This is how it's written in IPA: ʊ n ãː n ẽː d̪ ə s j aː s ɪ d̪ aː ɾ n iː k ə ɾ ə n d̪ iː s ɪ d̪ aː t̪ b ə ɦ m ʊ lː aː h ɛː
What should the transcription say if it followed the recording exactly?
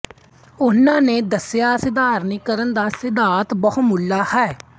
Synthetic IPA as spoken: ʊ n ãː n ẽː d̪ ə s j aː s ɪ d̪ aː ɾ n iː k ə ɾ ə n d̪ aː s ɪ d̪ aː t̪ b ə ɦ m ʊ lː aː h ɛː